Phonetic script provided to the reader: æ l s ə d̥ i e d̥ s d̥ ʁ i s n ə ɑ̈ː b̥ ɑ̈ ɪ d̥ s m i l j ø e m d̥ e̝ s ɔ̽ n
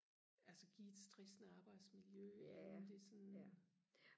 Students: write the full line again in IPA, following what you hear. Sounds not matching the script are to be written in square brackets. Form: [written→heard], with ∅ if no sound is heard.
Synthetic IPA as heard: æ l s ə [d̥→ɡ̥] i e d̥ s d̥ ʁ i s n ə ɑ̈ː b̥ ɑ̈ ɪ d̥ s m i l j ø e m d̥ e̝ s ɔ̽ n